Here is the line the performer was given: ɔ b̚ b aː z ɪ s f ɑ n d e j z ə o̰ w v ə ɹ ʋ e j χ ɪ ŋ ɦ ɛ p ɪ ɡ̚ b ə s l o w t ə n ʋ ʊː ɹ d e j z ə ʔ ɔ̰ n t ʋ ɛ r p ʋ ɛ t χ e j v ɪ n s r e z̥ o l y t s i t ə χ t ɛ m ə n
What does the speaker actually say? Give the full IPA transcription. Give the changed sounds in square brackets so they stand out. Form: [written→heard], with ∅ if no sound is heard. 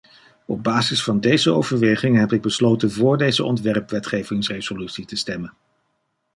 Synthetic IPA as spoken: ɔ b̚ b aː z ɪ s f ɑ n d e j z ə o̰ w v ə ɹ ʋ e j χ ɪ ŋ ɦ ɛ p ɪ ɡ̚ b ə s l o w t ə n [ʋ→v] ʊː ɹ d e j z ə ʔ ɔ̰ n t ʋ ɛ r p ʋ ɛ t χ e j v ɪ [n→ŋ] s r e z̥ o l y t s i t ə [χ→s] t ɛ m ə n